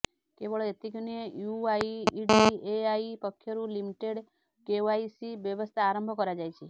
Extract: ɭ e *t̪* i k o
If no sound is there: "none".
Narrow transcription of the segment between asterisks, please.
t̪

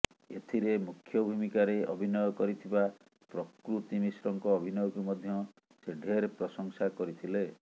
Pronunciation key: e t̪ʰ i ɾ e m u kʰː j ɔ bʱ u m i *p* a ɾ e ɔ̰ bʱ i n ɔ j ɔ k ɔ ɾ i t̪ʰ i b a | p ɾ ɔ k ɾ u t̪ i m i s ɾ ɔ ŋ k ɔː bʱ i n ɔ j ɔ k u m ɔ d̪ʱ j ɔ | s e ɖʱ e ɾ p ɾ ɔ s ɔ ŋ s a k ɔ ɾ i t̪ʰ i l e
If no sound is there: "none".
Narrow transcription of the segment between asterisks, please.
k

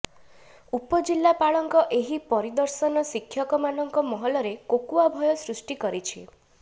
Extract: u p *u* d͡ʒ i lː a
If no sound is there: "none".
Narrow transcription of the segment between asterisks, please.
ɔ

